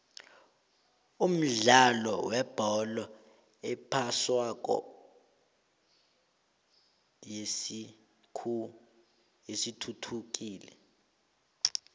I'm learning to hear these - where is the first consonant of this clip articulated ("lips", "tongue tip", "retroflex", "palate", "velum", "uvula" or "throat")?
lips